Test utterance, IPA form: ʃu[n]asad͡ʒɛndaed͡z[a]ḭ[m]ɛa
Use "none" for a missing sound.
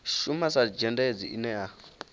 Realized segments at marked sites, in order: m, i, n

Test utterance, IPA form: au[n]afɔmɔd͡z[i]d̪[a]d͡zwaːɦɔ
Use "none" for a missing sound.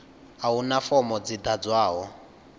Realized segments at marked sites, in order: n, i, a

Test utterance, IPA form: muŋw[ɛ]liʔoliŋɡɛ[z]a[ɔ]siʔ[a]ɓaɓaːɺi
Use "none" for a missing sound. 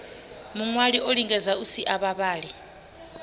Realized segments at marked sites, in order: a, z, u, a

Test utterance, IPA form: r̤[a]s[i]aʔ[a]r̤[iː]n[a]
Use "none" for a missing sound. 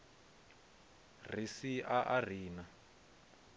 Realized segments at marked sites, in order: i, i, a, iː, a

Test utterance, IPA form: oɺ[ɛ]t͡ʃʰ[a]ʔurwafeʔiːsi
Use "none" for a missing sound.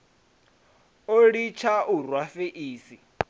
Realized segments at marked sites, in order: i, a

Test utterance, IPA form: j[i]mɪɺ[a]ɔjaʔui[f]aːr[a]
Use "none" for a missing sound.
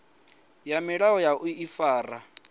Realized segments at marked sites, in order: a, a, f, a

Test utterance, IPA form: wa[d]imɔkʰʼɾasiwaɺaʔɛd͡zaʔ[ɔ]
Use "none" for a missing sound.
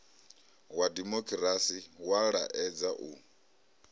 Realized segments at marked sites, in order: d, u

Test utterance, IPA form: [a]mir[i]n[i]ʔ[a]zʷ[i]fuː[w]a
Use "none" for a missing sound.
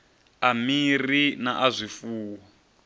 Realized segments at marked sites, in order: a, i, a, a, i, w

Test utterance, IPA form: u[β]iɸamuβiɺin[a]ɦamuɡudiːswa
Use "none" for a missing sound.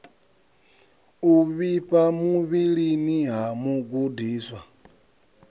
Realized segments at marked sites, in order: β, i

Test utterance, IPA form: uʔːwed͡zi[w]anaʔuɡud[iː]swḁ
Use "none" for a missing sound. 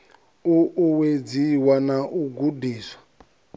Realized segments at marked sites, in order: w, iː

